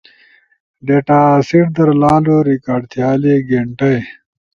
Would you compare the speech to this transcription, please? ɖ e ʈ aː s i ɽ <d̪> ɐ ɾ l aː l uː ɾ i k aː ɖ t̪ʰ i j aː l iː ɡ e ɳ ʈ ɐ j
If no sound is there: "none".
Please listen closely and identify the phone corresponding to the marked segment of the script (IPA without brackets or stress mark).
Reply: d̪